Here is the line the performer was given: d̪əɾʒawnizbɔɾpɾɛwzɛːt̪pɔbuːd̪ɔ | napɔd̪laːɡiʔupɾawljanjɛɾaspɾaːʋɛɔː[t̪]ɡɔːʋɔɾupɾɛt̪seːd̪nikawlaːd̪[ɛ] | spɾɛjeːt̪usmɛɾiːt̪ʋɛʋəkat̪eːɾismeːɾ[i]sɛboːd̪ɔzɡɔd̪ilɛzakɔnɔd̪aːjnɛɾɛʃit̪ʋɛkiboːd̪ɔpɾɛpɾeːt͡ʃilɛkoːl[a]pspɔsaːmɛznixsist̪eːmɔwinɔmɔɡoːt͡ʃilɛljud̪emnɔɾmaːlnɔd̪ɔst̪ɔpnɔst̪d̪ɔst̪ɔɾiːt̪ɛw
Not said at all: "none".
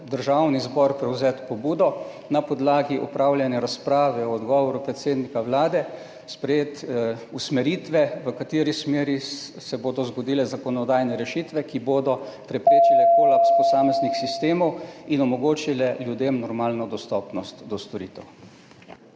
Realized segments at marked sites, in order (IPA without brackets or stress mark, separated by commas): d̪, ɛ, i, a